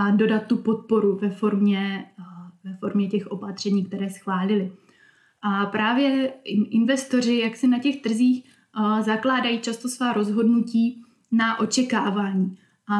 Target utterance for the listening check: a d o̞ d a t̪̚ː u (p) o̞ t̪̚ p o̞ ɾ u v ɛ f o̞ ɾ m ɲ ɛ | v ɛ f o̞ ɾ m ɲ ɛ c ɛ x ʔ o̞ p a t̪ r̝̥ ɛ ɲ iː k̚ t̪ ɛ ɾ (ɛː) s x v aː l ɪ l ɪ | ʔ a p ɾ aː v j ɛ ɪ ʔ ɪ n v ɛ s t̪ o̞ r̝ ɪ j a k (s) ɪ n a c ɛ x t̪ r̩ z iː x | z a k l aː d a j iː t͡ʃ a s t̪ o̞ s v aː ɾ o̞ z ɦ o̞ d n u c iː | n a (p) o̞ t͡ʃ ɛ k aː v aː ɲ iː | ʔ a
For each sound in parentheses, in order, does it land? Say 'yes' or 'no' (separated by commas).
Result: yes, yes, yes, no